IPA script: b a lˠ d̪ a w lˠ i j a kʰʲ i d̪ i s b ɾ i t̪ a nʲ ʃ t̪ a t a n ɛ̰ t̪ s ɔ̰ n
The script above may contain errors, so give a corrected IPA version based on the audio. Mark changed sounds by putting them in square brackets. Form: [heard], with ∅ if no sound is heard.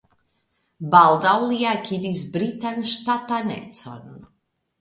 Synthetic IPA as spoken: b a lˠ d̪ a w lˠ i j a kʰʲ i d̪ i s b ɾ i t̪ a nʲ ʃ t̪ a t a n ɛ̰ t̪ s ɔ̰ n